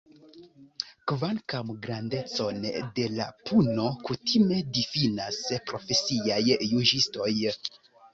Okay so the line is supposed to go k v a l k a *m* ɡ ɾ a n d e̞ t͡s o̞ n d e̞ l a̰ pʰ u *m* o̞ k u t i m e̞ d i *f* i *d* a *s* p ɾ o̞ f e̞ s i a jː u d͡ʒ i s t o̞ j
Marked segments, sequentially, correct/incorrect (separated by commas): correct, incorrect, correct, incorrect, correct